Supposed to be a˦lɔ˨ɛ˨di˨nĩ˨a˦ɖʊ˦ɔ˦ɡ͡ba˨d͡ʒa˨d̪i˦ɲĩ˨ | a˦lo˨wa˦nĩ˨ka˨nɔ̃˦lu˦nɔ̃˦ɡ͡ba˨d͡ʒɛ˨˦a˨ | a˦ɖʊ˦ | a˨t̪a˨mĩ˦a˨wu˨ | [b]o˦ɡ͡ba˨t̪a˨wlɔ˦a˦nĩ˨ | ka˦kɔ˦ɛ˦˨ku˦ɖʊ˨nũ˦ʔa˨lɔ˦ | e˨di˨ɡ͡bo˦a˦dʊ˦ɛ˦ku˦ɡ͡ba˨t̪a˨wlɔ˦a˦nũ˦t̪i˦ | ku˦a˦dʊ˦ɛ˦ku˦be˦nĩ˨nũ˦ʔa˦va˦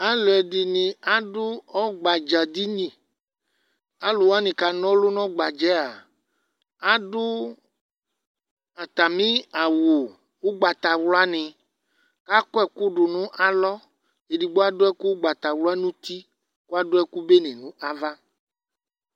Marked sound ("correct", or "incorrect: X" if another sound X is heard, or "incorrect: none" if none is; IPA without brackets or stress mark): incorrect: w